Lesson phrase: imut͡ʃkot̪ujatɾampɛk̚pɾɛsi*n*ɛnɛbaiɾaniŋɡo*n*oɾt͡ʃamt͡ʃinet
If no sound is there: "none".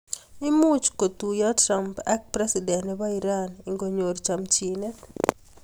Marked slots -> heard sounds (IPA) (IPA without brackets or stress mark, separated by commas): d, ɲ